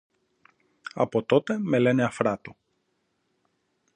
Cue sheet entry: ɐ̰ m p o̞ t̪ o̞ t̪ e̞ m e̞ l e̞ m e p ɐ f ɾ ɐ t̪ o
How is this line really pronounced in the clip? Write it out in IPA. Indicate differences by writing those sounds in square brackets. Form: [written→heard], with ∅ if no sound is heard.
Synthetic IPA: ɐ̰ [m→∅] p o̞ t̪ o̞ t̪ e̞ m e̞ l e̞ [m→n] e [p→∅] ɐ f ɾ ɐ t̪ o